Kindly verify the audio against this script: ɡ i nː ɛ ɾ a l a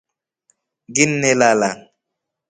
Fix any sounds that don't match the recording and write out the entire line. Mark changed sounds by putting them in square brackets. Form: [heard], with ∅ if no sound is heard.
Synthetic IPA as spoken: ɡ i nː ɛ [l] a l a